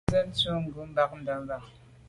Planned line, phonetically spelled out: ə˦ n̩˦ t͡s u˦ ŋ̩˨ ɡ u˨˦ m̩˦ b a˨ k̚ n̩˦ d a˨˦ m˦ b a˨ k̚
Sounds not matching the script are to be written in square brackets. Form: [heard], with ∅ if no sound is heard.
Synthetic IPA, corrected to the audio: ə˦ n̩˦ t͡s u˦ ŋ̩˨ ɡ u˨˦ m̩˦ b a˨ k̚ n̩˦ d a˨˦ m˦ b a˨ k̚